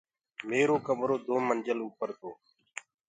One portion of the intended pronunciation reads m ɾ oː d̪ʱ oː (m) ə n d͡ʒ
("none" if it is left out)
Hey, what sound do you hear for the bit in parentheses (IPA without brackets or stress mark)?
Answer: m